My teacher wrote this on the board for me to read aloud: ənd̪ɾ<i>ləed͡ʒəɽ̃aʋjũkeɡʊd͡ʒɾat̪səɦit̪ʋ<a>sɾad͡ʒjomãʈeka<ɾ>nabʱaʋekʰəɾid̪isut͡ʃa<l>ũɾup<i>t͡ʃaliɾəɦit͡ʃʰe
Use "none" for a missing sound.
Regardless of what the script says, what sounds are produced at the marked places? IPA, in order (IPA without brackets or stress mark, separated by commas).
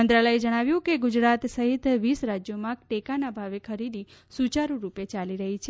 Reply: a, i, none, ɾ, e